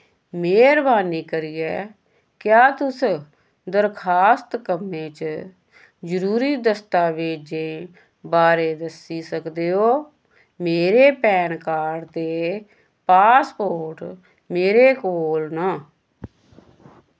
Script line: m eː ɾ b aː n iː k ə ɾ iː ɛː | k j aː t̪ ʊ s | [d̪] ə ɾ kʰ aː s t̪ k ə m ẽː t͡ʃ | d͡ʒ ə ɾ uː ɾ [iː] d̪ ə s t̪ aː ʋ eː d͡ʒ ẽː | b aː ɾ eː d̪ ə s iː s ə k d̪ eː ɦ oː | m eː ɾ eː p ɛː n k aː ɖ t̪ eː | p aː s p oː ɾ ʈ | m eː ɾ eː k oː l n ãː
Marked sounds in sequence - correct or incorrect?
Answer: correct, correct

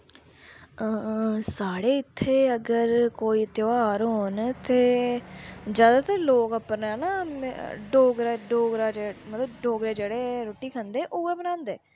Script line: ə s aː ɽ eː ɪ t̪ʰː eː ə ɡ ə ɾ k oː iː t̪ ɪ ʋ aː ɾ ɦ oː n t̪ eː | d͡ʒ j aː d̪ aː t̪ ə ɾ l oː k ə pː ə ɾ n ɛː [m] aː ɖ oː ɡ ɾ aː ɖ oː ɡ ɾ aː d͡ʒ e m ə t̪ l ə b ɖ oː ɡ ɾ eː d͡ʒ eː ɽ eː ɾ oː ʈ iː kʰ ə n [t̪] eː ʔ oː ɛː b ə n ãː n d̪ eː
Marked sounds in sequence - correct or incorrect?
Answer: incorrect: n, incorrect: d̪

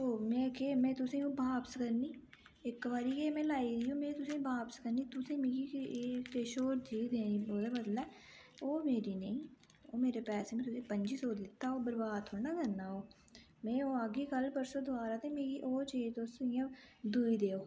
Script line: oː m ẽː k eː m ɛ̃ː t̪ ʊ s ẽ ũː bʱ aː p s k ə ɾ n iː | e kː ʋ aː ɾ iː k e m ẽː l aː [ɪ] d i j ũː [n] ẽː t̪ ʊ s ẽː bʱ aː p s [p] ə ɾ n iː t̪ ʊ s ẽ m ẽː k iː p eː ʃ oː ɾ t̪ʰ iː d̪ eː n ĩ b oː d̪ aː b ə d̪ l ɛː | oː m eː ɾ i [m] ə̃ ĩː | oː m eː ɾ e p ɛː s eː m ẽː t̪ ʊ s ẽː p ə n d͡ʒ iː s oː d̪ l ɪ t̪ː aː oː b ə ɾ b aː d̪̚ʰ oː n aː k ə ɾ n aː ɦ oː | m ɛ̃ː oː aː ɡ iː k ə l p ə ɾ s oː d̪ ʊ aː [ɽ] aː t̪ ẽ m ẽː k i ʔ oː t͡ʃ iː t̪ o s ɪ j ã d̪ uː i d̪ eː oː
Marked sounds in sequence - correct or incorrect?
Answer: incorrect: i, incorrect: m, incorrect: k, incorrect: n, incorrect: ɾ

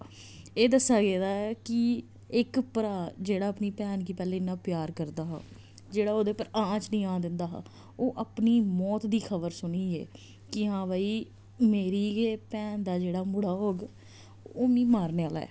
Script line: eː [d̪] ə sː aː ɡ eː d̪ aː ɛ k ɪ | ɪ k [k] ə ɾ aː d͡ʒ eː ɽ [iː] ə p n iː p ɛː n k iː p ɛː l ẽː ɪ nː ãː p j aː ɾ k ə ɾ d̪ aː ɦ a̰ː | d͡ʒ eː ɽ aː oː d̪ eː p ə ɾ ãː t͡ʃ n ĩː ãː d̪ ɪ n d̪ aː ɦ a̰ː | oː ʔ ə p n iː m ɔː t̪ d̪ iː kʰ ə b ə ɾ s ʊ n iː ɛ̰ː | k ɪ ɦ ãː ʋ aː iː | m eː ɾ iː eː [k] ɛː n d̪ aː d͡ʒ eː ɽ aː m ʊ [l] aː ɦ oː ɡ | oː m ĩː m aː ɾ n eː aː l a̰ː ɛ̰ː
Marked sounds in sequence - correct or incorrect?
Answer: correct, incorrect: p, incorrect: aː, incorrect: p, incorrect: ɽ

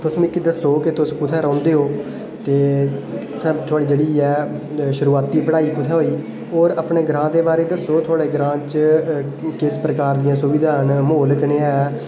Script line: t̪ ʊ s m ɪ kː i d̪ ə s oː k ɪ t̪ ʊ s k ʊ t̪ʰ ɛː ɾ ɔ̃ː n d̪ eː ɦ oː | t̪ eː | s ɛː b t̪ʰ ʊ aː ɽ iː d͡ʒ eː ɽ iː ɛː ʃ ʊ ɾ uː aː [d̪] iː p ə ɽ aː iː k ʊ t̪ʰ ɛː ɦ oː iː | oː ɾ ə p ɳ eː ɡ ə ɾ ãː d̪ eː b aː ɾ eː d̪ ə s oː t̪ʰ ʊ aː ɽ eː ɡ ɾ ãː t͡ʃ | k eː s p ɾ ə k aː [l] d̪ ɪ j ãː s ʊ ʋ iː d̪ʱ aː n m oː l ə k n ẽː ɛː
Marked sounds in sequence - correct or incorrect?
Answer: incorrect: t̪, incorrect: ɾ

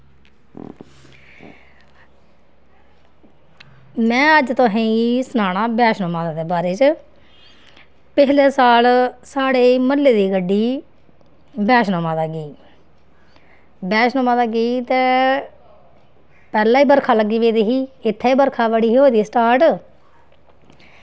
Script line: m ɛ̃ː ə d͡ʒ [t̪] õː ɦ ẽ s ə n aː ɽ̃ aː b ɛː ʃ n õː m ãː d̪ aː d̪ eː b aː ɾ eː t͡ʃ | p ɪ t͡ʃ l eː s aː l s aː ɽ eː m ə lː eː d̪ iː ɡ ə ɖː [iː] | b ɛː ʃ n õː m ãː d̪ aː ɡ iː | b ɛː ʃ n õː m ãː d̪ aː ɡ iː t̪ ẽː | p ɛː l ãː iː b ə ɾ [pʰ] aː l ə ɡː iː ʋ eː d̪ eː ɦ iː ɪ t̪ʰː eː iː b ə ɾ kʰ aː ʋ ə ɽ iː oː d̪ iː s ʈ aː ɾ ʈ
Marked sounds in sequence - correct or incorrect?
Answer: correct, correct, incorrect: kʰ

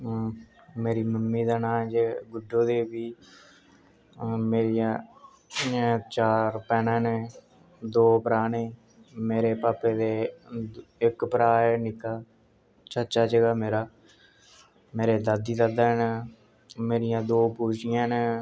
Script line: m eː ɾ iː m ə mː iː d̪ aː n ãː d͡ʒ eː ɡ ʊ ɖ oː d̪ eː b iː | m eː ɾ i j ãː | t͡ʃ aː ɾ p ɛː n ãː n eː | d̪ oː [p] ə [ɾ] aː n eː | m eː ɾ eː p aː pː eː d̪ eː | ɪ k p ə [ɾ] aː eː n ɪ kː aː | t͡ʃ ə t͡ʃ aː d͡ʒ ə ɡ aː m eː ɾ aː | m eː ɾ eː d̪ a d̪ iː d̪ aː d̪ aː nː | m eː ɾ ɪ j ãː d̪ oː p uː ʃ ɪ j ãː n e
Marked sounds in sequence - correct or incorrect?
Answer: correct, correct, correct

